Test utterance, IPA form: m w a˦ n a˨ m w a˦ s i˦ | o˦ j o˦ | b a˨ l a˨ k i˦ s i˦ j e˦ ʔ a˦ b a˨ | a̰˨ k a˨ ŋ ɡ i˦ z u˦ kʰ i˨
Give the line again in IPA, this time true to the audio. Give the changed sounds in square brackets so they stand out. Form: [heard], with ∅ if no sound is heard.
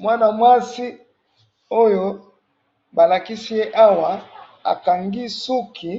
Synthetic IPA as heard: m w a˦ n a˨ m w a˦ s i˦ | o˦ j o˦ | b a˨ l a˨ k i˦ s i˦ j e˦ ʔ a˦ [w] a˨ | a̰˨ k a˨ ŋ ɡ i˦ [s] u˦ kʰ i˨